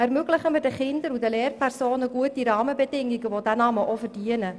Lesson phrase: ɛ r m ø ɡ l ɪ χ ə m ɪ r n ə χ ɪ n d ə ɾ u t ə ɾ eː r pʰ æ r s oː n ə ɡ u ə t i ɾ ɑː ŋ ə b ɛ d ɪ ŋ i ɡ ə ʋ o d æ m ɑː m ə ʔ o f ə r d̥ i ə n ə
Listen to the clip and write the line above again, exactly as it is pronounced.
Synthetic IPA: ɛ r m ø ɡ l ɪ χ ə m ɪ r d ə χ ɪ n d ə ɾ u d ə l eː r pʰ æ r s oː n ə ɡ u ə t i ɾ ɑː m ə b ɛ d ɪ ŋ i ɡ ə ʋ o d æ n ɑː m ə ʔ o f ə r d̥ i ə n ə